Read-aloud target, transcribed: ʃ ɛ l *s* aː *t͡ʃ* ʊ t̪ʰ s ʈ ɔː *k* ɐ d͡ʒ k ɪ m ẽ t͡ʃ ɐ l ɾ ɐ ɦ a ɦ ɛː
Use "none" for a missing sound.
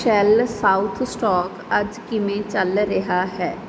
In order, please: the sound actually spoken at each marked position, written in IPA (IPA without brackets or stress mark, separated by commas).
s, none, k